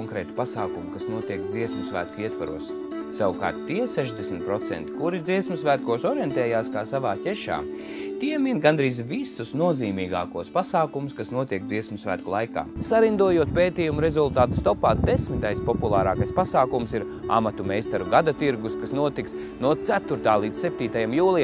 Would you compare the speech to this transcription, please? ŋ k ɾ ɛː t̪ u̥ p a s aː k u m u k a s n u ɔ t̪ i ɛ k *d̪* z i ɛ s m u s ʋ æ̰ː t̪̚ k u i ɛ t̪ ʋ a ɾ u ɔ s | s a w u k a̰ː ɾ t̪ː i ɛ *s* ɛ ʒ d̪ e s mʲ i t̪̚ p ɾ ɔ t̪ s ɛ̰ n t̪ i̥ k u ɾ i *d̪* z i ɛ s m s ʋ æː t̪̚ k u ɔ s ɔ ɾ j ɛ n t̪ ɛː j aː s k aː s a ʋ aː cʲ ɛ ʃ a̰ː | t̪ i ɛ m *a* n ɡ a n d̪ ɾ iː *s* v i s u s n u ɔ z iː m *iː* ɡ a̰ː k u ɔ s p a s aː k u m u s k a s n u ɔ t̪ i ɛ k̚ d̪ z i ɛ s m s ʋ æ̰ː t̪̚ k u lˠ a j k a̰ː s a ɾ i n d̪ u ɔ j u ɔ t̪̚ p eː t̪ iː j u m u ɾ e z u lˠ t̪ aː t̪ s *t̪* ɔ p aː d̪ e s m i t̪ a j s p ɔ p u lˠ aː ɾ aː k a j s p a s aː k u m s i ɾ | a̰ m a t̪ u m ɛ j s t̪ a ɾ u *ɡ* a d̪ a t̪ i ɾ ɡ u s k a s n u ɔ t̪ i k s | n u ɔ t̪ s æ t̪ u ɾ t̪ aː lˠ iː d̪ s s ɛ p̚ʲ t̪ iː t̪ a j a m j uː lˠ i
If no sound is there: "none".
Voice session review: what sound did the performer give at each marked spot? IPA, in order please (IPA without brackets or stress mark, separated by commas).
d̪, s, d̪, i, z, iː, t̪, ɡ